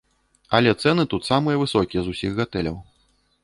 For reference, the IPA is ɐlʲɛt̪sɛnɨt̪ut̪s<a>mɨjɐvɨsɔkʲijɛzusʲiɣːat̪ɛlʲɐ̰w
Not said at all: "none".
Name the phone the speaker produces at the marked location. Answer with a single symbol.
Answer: a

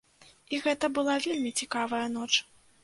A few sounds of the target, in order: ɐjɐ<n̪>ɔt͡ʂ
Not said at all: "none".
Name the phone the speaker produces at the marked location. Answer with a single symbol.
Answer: n̪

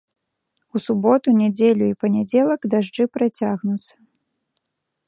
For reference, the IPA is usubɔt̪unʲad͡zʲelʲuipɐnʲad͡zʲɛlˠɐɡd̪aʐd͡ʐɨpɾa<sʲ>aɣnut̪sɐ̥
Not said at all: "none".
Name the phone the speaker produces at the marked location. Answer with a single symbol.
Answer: t͡sʲ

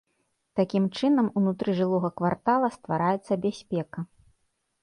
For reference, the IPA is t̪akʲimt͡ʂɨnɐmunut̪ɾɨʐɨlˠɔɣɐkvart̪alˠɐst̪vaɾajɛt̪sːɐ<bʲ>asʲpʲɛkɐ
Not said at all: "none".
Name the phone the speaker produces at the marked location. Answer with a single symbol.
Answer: bʲ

